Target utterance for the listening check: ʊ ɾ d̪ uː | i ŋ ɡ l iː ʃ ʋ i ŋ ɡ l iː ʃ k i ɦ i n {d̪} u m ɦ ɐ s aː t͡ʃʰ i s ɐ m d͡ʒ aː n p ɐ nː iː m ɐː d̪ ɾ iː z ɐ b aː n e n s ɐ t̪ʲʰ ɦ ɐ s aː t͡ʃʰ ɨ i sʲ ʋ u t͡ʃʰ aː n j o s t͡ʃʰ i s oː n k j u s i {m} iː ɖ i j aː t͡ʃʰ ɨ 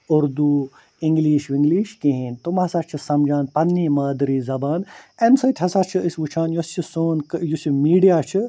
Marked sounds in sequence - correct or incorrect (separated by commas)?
incorrect, correct